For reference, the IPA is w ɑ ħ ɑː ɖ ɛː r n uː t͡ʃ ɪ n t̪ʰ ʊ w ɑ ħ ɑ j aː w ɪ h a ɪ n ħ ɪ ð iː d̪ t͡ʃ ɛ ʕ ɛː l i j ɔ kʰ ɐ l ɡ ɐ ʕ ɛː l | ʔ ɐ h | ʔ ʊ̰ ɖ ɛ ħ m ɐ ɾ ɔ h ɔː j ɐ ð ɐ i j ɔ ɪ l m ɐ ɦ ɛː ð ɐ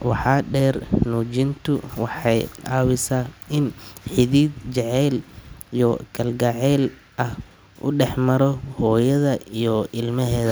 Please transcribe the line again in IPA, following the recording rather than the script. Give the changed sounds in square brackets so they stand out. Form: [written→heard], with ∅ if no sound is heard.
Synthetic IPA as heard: w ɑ ħ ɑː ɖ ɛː r n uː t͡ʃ ɪ n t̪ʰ ʊ w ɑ ħ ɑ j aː w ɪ [h→s] a ɪ n ħ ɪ ð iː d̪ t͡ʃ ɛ ʕ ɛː l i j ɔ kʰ ɐ l ɡ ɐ ʕ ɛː l | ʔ ɐ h | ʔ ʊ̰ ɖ ɛ ħ m ɐ ɾ ɔ h ɔː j ɐ ð ɐ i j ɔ ɪ l m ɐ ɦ ɛː ð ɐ